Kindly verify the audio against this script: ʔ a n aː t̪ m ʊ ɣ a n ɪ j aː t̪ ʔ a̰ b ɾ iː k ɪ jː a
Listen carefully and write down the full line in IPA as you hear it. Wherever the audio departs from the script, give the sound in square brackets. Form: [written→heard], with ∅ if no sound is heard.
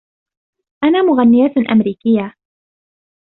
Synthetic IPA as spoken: ʔ a n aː [t̪→∅] m ʊ ɣ a [n→nː] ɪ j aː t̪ ʔ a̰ [b→m] ɾ iː k ɪ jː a